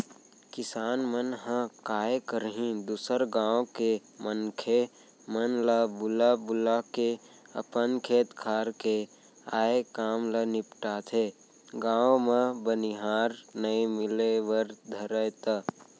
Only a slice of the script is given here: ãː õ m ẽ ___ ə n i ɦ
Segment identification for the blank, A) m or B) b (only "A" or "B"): B